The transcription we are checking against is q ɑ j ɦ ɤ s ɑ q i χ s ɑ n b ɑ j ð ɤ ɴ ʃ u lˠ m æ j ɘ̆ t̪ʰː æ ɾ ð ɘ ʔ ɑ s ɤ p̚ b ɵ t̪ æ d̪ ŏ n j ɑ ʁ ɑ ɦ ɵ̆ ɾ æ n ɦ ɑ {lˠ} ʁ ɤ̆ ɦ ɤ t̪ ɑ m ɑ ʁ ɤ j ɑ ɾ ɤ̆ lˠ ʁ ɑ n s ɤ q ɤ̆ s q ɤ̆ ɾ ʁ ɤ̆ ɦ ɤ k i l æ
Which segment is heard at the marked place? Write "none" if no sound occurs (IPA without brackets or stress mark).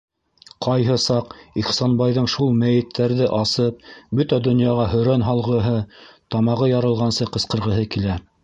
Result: lˠ